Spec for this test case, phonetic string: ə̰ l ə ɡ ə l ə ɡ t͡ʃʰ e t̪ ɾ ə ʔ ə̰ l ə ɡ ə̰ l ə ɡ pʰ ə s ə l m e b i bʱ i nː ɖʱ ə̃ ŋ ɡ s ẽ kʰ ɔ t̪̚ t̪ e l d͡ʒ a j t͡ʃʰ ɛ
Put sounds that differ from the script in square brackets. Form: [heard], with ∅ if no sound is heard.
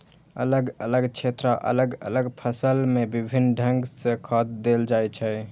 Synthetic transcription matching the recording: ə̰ l ə ɡ ə l ə ɡ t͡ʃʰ e t̪ ɾ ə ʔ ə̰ l ə ɡ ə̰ l ə ɡ pʰ ə s ə l m e b i bʱ i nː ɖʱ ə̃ ŋ ɡ s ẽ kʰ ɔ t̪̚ [d̪] e l d͡ʒ a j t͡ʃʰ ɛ